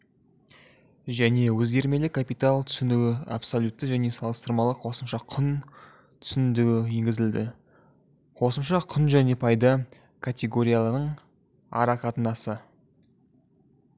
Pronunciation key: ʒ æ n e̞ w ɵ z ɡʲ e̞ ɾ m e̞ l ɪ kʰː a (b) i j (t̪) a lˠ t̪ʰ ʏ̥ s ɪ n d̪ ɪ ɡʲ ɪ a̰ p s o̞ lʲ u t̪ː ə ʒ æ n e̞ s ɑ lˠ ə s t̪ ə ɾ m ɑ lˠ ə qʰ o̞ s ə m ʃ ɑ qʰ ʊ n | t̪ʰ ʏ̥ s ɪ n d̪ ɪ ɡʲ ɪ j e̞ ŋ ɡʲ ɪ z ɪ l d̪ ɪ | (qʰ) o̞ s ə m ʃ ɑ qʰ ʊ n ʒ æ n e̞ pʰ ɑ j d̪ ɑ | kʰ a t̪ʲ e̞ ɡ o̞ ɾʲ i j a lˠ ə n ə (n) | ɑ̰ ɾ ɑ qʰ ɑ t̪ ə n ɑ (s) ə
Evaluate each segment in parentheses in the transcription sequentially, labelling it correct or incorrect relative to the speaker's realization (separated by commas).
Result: incorrect, correct, correct, incorrect, correct